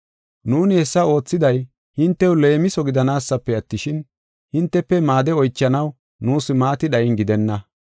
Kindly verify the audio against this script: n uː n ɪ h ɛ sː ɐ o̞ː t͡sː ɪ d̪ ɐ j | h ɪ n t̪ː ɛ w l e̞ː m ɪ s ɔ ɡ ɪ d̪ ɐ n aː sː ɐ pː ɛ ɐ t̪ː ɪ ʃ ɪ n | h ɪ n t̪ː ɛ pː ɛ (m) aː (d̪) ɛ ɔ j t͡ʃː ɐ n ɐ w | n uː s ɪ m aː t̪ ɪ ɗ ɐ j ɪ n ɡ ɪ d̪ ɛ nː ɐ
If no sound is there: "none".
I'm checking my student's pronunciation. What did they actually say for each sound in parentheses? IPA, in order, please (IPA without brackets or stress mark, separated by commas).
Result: m, d̪